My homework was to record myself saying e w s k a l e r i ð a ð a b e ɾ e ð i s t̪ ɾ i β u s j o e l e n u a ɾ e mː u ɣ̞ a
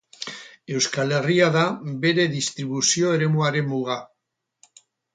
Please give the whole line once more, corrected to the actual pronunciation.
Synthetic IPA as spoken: e w s k a l e r i a ð a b e ɾ e ð i s t̪ ɾ i β u s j o e ɾ e m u a ɾ e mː u ɣ̞ a